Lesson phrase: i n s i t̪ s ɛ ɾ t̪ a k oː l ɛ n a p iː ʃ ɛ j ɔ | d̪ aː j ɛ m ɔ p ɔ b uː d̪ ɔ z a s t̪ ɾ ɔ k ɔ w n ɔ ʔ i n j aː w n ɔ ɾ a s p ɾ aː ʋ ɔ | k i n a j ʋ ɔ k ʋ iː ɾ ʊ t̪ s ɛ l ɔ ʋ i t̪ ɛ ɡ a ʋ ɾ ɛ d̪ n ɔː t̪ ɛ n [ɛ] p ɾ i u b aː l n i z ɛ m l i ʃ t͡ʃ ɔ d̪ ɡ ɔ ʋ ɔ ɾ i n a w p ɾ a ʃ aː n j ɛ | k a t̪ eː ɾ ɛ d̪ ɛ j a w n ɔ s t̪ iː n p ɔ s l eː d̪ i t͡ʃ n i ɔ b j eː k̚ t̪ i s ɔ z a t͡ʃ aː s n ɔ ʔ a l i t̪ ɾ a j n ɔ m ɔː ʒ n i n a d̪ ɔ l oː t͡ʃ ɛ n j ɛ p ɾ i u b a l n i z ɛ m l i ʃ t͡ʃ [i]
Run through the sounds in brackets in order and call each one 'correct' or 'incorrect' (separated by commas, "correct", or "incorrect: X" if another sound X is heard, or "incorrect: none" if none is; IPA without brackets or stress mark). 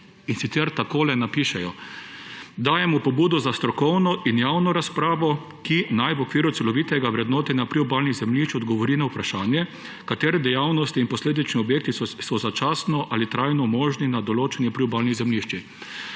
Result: incorrect: a, correct